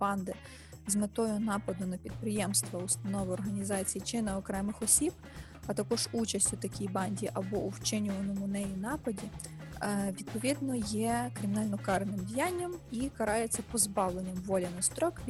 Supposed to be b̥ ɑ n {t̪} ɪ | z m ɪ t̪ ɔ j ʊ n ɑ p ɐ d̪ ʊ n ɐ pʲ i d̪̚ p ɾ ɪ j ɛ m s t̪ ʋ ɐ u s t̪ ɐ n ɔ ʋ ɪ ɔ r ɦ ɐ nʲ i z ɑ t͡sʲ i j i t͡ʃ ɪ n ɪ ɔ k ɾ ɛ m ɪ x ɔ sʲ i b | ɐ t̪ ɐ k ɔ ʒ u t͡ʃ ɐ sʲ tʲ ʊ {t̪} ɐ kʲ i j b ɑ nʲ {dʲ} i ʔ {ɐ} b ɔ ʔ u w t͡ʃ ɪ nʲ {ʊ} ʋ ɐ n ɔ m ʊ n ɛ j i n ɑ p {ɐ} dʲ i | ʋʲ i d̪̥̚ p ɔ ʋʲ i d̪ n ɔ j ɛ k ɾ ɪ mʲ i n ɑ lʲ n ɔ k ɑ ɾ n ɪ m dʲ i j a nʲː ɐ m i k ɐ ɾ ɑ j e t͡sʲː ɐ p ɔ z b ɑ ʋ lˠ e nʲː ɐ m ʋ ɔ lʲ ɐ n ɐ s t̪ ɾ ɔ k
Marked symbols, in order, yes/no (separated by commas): no, yes, yes, yes, yes, yes